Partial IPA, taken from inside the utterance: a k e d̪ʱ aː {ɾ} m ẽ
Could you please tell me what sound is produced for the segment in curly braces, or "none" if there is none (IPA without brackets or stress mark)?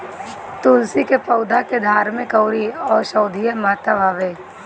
ɾ